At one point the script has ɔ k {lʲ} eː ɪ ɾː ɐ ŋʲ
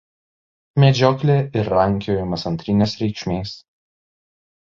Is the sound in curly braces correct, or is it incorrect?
correct